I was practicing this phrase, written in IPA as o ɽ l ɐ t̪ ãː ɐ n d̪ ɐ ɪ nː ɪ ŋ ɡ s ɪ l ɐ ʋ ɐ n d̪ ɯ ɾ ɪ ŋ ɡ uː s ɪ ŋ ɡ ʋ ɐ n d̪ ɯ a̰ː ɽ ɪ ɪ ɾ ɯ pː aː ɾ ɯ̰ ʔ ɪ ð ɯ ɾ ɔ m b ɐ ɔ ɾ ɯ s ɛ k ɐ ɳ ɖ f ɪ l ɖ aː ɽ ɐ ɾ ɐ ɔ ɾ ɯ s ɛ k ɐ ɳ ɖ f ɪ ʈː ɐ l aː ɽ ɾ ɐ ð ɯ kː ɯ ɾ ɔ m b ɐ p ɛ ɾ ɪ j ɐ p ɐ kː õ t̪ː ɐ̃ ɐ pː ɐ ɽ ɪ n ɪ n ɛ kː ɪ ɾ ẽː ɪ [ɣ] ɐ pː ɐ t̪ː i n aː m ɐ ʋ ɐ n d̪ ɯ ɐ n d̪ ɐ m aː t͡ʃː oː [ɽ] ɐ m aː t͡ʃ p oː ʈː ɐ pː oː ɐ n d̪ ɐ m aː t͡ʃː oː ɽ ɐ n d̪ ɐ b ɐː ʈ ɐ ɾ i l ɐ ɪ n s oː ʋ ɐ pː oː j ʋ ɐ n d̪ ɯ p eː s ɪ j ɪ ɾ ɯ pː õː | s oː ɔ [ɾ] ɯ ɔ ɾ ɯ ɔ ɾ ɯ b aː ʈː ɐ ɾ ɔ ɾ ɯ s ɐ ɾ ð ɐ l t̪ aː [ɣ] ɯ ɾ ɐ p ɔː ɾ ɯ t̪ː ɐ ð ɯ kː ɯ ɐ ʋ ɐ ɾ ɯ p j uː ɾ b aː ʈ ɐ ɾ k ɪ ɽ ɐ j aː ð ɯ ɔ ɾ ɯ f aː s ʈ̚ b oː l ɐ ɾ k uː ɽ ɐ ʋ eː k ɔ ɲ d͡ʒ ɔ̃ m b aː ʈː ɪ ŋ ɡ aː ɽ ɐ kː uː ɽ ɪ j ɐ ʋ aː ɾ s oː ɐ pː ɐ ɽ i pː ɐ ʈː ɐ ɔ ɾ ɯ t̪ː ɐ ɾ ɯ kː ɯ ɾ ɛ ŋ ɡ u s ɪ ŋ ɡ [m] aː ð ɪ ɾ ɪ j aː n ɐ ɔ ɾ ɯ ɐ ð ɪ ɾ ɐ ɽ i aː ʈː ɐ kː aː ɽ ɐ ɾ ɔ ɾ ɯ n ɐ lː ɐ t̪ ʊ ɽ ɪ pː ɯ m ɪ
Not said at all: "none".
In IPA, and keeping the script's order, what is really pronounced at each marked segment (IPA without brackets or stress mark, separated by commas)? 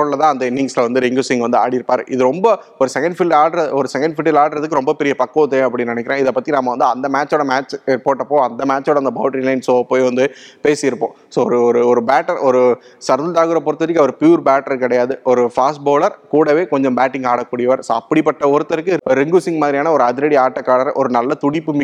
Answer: ð, ɽ, ɾ, ɣ, m